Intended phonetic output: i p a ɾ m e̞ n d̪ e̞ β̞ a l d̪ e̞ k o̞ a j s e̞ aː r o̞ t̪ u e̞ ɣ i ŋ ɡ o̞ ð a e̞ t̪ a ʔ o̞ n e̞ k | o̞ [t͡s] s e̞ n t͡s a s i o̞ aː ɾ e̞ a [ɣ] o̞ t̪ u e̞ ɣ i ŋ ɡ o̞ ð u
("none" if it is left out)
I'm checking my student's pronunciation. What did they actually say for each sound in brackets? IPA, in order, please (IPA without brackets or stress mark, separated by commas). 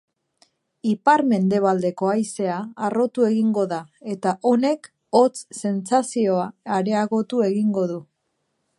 t͡s, ɣ